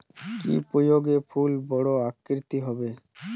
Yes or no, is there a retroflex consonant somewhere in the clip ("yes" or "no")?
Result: yes